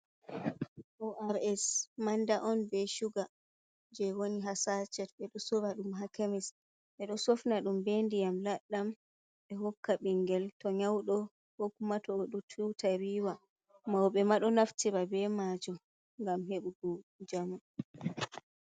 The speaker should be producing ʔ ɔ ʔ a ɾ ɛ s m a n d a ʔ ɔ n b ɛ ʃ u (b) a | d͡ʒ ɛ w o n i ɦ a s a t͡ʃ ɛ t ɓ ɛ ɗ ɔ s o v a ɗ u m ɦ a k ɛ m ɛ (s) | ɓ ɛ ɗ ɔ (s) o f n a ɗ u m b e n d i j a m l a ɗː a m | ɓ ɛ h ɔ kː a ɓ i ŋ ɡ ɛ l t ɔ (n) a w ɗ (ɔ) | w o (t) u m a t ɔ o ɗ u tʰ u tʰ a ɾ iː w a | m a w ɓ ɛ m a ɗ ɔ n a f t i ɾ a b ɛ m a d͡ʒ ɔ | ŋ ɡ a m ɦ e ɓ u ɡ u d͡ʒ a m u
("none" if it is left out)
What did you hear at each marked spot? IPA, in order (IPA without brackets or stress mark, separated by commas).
ɡ, s, s, ɲ, ɔ, k